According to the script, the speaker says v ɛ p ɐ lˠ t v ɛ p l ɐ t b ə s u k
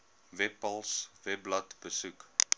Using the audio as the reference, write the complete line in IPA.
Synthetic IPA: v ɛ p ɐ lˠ s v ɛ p l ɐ t b ə s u k